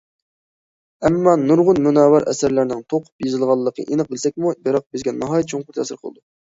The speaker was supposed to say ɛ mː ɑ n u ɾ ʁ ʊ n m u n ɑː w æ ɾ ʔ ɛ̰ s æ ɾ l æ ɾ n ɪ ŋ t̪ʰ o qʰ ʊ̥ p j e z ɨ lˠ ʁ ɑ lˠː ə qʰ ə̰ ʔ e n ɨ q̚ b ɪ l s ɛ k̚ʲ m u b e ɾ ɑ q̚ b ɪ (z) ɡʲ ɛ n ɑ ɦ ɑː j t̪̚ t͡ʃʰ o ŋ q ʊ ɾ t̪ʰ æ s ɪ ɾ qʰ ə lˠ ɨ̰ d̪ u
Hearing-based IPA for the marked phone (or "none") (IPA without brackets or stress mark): z